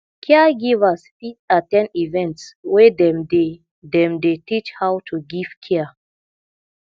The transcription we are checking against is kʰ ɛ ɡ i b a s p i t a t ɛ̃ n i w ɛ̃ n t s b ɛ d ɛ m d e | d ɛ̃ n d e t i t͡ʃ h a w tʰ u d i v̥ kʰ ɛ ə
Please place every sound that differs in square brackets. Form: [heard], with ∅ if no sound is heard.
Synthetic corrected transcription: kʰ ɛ ɡ i [v] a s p i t a t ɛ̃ n i [v] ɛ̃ n t s [w] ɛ d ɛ m d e | d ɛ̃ [m] d e t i t͡ʃ h a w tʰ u [ɡ] i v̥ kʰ ɛ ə